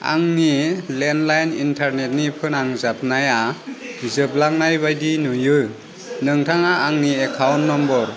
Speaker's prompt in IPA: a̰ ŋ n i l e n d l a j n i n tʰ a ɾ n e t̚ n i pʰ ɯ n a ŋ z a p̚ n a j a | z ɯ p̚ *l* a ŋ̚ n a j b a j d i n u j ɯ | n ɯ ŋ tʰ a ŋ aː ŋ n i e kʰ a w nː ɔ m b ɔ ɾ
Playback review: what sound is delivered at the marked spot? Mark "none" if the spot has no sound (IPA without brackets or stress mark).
l